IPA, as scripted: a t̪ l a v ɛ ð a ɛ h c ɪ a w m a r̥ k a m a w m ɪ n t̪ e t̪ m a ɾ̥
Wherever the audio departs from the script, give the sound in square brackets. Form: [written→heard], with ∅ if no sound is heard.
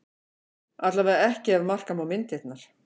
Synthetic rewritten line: a t̪ l a v ɛ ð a ɛ h c ɪ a [w→v] m a r̥ k a m a w m ɪ n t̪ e t̪ [m→n] a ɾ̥